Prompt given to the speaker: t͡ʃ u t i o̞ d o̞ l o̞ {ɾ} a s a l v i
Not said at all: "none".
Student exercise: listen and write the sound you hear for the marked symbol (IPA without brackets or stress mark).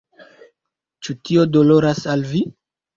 ɾ